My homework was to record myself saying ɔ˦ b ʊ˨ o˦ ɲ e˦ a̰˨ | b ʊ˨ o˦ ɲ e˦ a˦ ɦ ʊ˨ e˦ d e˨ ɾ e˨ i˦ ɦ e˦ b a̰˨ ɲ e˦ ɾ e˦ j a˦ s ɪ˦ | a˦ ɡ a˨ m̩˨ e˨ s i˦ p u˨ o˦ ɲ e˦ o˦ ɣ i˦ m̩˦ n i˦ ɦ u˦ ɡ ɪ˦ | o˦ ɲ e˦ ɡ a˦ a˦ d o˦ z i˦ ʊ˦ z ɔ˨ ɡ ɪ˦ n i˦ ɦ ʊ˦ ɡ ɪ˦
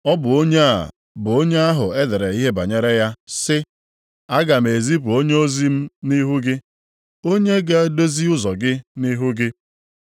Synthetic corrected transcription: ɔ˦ b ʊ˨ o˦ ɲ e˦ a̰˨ | b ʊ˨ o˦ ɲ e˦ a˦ ɦ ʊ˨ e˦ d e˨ ɾ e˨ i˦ ɦ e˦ b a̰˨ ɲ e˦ ɾ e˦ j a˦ s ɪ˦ | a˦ ɡ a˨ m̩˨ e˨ z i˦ p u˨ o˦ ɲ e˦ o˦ z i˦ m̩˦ n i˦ ɦ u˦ ɡ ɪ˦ | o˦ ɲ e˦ ɡ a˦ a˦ d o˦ z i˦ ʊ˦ z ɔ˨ ɡ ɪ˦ n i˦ ɦ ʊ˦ ɡ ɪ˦